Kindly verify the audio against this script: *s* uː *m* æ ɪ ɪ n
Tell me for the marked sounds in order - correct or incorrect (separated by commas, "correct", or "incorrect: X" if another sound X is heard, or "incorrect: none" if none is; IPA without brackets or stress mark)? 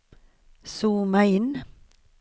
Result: correct, correct